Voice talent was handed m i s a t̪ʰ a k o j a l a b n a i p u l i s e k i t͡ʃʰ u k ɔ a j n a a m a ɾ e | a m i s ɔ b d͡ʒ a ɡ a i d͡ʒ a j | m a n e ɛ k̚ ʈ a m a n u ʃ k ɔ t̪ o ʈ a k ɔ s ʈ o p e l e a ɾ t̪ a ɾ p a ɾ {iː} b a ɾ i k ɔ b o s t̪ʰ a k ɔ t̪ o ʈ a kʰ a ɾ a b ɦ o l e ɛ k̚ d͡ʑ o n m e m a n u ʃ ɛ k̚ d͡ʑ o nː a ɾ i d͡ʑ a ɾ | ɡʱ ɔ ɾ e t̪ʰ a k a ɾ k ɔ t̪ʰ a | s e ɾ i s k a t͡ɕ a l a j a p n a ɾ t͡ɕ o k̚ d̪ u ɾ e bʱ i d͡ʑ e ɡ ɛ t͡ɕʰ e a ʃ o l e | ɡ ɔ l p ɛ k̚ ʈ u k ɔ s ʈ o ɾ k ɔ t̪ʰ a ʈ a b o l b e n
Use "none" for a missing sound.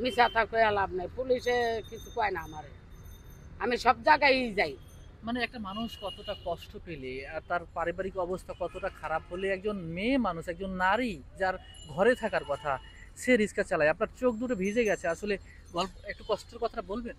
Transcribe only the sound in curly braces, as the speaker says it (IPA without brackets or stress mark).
i